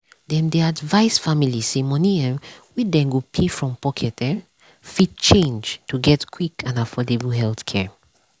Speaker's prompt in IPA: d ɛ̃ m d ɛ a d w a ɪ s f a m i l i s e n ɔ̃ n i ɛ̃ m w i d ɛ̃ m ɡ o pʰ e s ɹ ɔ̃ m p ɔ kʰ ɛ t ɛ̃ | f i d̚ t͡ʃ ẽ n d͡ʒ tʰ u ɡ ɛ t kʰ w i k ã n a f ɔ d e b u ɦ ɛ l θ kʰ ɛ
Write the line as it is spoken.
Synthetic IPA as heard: d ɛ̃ m d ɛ a d v a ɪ s f a m i l i s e m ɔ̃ n i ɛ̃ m w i d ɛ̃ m ɡ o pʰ e f ɹ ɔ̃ m p ɔ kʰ ɛ t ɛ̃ | f i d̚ t͡ʃ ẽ n d͡ʒ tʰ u ɡ ɛ t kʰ w i k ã n a f ɔ d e b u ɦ ɛ l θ kʰ ɛ